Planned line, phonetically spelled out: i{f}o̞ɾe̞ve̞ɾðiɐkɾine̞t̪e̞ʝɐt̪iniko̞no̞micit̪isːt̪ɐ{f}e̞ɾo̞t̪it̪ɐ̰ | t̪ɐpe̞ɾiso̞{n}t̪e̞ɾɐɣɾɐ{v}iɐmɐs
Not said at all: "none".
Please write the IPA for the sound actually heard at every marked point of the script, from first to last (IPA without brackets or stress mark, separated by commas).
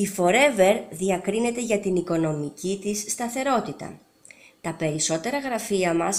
f, θ, none, f